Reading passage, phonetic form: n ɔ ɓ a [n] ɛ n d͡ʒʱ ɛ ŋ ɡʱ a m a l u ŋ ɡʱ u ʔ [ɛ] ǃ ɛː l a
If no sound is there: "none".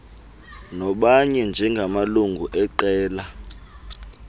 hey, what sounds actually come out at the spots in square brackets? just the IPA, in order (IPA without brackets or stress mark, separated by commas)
ɲ, ɛ